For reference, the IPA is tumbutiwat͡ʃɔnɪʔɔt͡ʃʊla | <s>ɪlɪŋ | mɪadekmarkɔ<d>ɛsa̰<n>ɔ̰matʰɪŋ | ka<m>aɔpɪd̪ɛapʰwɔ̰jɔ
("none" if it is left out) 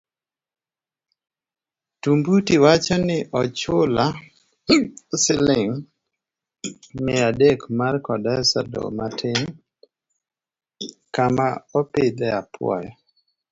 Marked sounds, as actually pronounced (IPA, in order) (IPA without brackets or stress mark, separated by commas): s, d, d, m